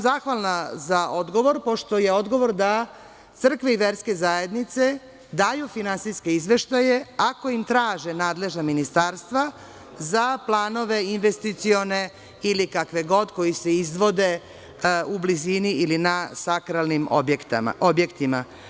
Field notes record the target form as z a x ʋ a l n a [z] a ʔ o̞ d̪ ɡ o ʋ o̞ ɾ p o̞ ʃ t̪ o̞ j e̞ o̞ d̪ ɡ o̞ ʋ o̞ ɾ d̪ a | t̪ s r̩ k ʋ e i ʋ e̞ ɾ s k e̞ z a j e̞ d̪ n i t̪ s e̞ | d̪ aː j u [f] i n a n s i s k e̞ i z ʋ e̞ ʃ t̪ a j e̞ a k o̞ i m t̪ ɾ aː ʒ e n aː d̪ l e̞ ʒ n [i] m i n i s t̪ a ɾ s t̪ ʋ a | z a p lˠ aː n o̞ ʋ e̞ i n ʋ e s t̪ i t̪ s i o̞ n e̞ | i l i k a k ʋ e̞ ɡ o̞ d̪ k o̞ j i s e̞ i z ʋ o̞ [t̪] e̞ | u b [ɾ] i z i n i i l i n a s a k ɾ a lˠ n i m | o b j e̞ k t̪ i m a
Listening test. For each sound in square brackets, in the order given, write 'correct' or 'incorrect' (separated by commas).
correct, correct, incorrect, incorrect, incorrect